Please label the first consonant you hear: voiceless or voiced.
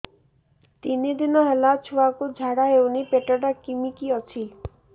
voiceless